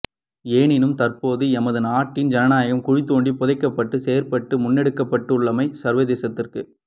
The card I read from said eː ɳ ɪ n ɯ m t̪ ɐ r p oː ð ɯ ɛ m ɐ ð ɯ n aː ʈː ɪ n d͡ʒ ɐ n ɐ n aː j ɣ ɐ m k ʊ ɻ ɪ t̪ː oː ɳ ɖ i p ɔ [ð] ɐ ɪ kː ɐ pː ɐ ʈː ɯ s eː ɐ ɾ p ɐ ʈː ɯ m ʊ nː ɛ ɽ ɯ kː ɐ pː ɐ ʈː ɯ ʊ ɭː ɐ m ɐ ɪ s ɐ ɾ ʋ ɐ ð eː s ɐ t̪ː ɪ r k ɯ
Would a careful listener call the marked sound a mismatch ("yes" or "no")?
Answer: no